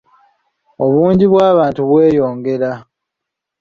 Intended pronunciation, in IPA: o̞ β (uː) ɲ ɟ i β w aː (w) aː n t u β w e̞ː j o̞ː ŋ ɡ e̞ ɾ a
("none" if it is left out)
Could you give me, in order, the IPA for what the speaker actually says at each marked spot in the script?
uː, β

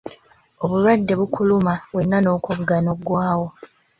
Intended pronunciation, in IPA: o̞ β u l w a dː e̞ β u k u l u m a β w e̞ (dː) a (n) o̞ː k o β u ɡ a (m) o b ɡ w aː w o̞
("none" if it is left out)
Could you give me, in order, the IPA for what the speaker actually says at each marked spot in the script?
nː, n, n

